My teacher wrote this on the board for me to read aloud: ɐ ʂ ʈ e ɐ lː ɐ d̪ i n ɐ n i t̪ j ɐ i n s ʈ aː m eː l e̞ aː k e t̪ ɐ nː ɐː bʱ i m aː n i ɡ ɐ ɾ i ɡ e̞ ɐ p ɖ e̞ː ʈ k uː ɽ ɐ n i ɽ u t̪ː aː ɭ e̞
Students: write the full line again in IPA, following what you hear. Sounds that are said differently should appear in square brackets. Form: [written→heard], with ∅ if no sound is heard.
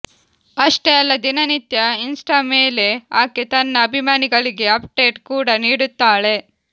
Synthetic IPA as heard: ɐ ʂ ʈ e ɐ lː ɐ d̪ i n ɐ n i t̪ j ɐ i n s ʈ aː m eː l e̞ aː k e t̪ ɐ nː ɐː bʱ i m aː n i ɡ ɐ [ɾ→ɭ] i ɡ e̞ ɐ p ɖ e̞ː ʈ k uː ɽ ɐ n [i→iː] ɽ u t̪ː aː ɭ e̞

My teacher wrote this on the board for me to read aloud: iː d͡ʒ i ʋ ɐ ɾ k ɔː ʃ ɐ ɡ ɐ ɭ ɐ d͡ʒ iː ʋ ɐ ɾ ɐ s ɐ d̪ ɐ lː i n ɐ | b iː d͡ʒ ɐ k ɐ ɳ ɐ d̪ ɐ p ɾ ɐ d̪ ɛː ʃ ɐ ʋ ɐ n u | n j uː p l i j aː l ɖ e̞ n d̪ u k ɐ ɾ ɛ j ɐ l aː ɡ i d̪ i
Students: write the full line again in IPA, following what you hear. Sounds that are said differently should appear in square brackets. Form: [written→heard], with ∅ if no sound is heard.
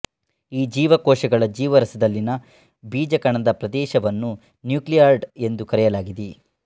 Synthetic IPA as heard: iː d͡ʒ [i→iː] ʋ ɐ [ɾ→∅] k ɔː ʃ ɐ ɡ ɐ ɭ ɐ d͡ʒ iː ʋ ɐ ɾ ɐ s ɐ d̪ ɐ lː i n ɐ | b iː d͡ʒ ɐ k ɐ ɳ ɐ d̪ ɐ p ɾ ɐ d̪ ɛː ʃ ɐ ʋ ɐ [n→nː] u | n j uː [p→k] l i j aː [l→ɾ] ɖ e̞ n d̪ u k ɐ ɾ ɛ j ɐ l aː ɡ i d̪ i

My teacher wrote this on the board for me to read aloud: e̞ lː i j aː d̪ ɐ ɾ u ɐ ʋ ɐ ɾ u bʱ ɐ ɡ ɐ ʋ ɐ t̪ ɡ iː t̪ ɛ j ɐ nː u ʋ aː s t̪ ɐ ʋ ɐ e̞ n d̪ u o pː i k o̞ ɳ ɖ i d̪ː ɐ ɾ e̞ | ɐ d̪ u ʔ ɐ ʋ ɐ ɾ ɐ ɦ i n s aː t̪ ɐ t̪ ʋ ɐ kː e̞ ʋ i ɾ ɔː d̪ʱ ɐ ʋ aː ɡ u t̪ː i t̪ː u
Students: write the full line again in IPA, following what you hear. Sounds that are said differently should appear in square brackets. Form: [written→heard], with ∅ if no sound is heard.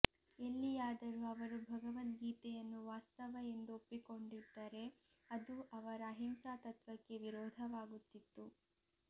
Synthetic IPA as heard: e̞ lː i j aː d̪ ɐ ɾ u ɐ ʋ ɐ ɾ u bʱ ɐ ɡ ɐ ʋ ɐ t̪ ɡ iː t̪ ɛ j ɐ nː u ʋ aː s t̪ ɐ ʋ ɐ e̞ n d̪ u o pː i k o̞ ɳ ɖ i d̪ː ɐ ɾ e̞ | ɐ d̪ u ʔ ɐ ʋ ɐ ɾ ɐ ɦ i [n→m] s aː t̪ ɐ t̪ ʋ ɐ kː e̞ ʋ i ɾ ɔː d̪ʱ ɐ ʋ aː ɡ u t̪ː i t̪ː u

